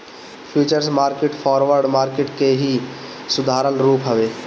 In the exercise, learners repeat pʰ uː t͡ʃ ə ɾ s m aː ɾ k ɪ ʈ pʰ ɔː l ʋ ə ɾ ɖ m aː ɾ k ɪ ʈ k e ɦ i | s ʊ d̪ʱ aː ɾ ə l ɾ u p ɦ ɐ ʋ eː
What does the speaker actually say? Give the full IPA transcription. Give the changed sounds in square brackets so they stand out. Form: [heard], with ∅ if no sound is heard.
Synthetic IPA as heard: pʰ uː t͡ʃ ə ɾ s m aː ɾ k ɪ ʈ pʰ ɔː [ɾ] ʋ ə ɾ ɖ m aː ɾ k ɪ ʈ k e ɦ i | s ʊ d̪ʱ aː ɾ ə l ɾ [uː] p ɦ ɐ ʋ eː